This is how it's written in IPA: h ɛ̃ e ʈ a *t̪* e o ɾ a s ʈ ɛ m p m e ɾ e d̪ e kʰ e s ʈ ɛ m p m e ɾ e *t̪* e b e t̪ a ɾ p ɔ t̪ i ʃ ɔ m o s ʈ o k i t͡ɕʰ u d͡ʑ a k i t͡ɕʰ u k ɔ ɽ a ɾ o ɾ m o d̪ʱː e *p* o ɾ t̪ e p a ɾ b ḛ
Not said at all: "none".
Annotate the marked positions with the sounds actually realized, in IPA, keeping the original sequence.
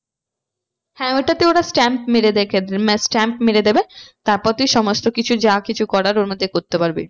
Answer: t̪, d̪, k

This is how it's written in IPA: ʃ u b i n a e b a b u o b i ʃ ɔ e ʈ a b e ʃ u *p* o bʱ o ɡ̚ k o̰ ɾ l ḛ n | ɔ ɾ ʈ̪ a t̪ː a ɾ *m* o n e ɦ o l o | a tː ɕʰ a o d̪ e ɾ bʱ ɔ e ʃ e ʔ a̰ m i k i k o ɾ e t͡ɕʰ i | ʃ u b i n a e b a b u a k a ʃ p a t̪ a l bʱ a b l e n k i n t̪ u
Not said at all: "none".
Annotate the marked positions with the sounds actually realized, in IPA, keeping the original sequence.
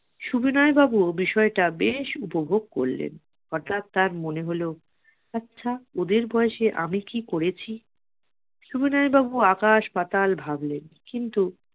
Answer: p, m

